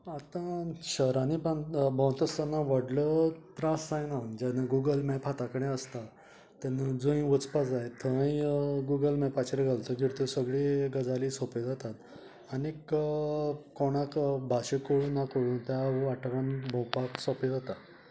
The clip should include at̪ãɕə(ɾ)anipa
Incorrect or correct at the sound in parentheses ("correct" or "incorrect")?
correct